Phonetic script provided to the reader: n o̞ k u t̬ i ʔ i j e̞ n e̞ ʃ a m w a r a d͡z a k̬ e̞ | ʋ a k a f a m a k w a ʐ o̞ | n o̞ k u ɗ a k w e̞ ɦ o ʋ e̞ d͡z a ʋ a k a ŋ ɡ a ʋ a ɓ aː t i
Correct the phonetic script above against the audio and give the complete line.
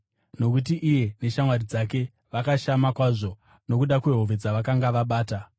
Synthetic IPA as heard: n o̞ k u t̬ i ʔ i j e̞ n e̞ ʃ a m w a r i d͡z a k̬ e̞ | ʋ a k a ʃ a m a k w a ʐ o̞ | n o̞ k u ɗ a k w e̞ ɦ o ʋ e̞ d͡z a ʋ a k a ŋ ɡ a ʋ a ɓ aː t a